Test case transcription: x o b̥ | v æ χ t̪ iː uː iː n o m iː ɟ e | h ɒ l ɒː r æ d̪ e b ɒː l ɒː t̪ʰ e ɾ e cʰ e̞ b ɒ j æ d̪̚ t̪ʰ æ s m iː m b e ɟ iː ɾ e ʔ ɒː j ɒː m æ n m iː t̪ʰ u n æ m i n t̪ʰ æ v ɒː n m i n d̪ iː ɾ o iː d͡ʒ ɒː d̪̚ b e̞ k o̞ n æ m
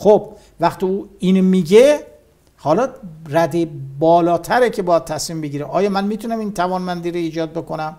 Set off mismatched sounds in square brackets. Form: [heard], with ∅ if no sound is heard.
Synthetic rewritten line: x o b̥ | v æ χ t̪ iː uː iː n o m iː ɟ e | h ɒ l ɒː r æ d̪ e b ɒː l ɒː t̪ʰ [æ] ɾ e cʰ e̞ b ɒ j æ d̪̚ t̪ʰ æ s m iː m b e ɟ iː ɾ e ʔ ɒː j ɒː m æ n m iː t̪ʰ u n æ m i n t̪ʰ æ v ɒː n m [æ] n d̪ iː ɾ o iː d͡ʒ ɒː d̪̚ b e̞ k o̞ n æ m